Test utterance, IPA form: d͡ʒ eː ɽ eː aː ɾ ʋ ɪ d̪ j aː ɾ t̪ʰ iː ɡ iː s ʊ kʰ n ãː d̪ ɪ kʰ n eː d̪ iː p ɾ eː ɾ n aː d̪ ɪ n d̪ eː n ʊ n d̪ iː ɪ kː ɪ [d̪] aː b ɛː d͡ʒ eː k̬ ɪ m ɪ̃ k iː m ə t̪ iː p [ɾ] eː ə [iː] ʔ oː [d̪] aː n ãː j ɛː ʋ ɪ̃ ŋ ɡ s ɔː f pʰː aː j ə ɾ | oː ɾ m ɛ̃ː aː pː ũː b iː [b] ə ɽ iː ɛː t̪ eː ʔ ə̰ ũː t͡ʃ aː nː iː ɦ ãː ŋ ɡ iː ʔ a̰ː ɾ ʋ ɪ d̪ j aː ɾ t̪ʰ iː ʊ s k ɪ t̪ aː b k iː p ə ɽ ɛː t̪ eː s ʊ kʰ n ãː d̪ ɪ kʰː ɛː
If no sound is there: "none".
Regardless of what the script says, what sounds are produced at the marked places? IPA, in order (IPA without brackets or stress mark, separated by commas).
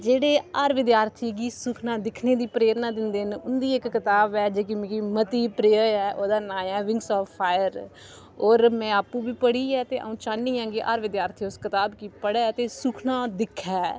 t̪, ɾ, ɛː, d̪, p